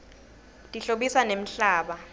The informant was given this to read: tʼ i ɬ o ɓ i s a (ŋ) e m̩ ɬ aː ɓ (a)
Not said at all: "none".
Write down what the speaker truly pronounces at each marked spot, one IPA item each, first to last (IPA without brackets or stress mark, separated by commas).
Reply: n, a